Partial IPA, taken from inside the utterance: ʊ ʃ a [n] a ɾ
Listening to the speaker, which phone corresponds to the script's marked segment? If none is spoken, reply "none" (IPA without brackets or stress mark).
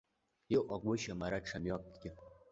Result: m